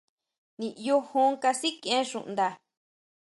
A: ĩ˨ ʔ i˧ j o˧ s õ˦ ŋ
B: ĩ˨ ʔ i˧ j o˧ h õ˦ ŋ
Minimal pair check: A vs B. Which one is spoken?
B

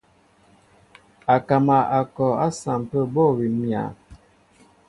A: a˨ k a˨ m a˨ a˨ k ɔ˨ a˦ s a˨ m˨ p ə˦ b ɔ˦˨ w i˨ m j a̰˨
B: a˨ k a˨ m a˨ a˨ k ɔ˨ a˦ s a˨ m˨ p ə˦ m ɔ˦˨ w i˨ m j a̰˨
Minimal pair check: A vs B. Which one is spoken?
A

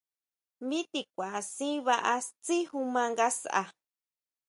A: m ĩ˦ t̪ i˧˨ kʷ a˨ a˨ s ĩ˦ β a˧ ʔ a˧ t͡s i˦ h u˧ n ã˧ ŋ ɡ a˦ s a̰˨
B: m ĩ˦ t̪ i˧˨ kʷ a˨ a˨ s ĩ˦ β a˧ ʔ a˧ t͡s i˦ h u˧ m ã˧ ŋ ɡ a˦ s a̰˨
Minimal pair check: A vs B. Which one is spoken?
B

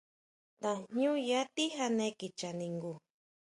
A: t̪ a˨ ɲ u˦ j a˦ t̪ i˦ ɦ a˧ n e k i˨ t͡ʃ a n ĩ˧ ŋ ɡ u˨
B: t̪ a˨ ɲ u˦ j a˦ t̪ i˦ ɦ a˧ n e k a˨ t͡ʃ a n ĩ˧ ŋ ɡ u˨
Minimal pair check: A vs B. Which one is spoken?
A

